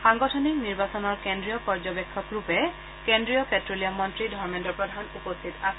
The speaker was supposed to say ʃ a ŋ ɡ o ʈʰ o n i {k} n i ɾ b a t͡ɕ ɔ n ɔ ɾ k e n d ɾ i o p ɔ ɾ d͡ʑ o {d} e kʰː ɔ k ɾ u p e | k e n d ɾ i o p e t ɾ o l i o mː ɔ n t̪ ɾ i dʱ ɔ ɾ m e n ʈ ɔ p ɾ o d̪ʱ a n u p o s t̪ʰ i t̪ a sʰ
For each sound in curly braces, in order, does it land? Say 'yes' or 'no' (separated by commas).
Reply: yes, no